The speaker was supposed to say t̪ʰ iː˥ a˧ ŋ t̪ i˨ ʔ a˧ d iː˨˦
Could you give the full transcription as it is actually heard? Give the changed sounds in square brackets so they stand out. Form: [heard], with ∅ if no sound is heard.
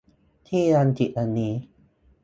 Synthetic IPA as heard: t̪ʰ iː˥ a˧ [n] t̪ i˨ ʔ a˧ [n] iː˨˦